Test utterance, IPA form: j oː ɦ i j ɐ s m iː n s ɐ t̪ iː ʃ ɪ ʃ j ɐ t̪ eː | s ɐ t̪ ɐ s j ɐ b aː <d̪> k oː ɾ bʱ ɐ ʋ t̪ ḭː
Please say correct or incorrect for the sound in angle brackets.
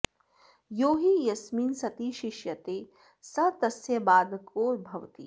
correct